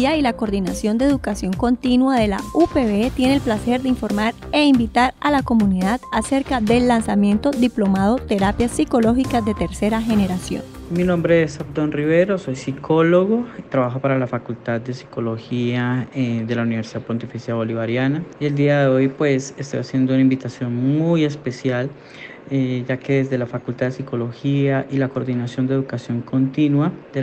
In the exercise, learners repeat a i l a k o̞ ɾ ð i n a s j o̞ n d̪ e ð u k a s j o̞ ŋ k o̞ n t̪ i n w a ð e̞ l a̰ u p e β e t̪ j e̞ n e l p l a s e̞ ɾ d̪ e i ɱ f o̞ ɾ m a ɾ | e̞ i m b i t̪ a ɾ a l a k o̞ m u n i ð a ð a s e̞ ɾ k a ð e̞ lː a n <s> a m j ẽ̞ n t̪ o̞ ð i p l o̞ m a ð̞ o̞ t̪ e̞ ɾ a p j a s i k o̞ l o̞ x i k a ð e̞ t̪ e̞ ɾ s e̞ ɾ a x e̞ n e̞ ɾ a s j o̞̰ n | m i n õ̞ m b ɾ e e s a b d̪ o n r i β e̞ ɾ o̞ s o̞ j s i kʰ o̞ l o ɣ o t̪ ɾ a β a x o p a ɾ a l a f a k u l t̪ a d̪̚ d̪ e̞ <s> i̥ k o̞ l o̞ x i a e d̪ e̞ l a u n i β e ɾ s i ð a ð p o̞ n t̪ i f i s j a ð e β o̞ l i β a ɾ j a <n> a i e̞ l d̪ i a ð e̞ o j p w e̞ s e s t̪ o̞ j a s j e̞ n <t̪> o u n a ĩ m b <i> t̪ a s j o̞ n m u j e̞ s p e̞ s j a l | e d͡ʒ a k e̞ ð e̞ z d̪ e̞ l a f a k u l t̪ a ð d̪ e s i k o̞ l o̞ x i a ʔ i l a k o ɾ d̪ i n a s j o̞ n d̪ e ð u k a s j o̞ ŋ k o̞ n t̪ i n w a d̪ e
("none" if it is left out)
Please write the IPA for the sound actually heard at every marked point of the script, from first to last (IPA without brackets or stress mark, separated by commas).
s, s, n, d̪, i